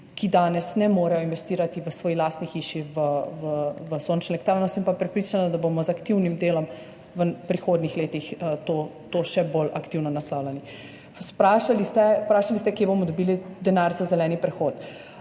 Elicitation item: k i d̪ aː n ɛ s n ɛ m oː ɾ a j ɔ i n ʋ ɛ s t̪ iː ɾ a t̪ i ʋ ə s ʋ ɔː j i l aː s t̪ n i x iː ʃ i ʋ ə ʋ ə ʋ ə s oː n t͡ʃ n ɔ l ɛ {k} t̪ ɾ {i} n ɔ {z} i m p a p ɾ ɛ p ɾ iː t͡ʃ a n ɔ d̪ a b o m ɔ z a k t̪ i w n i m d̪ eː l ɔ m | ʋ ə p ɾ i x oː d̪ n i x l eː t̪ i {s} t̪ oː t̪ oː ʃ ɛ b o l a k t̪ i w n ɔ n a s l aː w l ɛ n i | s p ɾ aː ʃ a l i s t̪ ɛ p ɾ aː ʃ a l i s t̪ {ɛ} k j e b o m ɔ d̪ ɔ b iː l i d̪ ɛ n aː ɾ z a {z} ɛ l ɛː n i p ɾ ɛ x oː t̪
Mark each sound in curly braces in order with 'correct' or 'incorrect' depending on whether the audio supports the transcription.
correct, incorrect: a, incorrect: s, incorrect: x, correct, correct

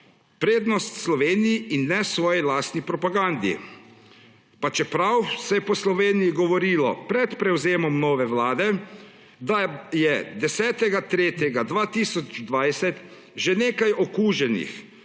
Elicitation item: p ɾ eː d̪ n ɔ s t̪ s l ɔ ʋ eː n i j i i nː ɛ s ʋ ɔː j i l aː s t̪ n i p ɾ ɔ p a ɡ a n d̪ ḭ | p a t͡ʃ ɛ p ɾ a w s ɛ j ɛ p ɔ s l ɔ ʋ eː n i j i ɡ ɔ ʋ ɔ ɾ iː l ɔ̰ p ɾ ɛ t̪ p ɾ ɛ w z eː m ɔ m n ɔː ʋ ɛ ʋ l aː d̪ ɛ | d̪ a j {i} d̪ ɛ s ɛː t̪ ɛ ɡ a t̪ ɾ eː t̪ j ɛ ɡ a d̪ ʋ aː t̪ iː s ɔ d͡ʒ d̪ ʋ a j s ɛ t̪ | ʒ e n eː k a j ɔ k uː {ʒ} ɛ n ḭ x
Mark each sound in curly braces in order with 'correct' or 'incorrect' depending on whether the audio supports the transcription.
incorrect: ɛ, correct

